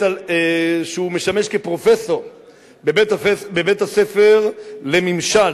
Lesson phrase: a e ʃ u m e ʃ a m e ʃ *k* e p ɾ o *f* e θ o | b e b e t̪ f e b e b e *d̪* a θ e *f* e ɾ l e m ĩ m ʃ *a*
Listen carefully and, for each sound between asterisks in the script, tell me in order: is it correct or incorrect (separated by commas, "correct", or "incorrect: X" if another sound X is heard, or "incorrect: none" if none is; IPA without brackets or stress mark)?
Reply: correct, correct, incorrect: t̪, correct, correct